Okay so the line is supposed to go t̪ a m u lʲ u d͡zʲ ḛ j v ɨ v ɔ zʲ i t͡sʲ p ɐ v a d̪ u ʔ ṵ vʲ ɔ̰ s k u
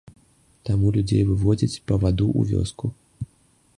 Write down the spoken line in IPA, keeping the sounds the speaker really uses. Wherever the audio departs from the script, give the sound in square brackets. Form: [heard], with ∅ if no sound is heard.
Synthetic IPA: t̪ a m u lʲ u d͡zʲ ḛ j v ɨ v ɔ [d͡zʲ] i t͡sʲ p ɐ v a d̪ u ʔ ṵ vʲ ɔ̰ s k u